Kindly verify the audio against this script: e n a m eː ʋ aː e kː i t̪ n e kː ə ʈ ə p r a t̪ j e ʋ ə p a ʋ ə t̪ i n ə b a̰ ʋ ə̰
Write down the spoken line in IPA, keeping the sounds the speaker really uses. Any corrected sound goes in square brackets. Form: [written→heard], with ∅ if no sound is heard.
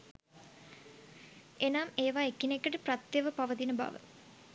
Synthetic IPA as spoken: e n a m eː ʋ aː e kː i [t̪→∅] n e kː ə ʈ ə p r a t̪ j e ʋ ə p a ʋ ə t̪ i n ə b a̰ ʋ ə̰